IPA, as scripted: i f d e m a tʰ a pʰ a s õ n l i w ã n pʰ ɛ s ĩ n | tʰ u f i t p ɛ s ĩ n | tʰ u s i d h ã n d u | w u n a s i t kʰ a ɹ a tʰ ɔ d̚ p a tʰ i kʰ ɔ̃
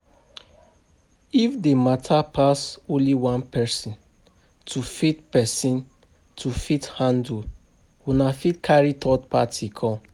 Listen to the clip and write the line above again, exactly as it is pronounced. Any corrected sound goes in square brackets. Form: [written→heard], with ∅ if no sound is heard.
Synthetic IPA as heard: i f d e m a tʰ a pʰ a s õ n l i w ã n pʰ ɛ s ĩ n | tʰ u f i t p ɛ s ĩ n | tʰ u [s→f] i [d→t] h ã n d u | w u n a [s→f] i t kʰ a ɹ [a→i] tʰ ɔ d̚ p a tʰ i kʰ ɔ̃